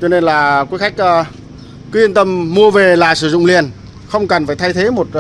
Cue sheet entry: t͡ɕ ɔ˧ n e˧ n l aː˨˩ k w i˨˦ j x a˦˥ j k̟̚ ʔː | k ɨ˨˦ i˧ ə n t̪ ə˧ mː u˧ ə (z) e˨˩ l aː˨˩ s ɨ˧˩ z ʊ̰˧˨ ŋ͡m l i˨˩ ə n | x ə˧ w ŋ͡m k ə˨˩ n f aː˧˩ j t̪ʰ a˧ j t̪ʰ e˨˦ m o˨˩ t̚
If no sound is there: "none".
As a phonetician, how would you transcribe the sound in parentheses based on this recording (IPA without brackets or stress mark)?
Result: v